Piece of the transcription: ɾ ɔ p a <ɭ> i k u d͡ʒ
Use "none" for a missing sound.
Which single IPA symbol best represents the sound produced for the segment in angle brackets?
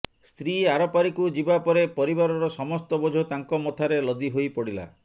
ɾ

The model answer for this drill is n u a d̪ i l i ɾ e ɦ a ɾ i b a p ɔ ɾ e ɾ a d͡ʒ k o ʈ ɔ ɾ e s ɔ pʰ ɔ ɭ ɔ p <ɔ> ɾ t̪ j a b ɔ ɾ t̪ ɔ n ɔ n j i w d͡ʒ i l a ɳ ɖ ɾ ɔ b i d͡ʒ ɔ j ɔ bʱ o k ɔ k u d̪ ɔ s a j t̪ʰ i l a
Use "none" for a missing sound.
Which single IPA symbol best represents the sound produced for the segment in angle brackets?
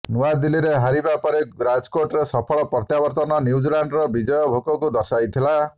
ɔ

